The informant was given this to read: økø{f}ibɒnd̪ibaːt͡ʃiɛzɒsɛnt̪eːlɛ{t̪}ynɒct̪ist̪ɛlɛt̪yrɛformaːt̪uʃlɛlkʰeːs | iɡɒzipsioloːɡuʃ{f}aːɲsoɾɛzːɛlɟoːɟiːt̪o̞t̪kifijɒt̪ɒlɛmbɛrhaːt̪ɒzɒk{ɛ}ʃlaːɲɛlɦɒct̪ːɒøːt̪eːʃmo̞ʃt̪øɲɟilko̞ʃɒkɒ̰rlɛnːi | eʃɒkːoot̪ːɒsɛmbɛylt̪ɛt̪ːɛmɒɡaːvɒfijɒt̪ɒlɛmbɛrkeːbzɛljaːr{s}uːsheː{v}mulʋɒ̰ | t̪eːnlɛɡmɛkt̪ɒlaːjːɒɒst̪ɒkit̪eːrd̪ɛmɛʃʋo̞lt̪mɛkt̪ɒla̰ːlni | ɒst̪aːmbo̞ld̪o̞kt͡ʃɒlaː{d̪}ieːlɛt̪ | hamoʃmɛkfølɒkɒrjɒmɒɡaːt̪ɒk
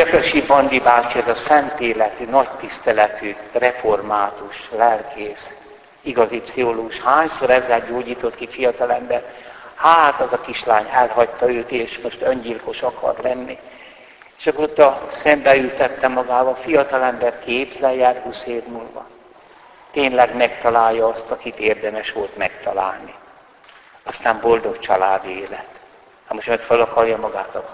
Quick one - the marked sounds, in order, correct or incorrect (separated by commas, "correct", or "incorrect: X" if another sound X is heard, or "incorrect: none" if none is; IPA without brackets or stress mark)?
incorrect: ʃ, correct, incorrect: h, incorrect: i, incorrect: h, correct, correct